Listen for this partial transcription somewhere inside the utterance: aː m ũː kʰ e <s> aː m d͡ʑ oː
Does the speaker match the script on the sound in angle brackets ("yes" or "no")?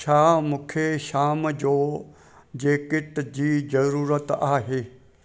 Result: no